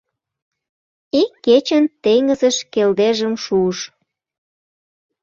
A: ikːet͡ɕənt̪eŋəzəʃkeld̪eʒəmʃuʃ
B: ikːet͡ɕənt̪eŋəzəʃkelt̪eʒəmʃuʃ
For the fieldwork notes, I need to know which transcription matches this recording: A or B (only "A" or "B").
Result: A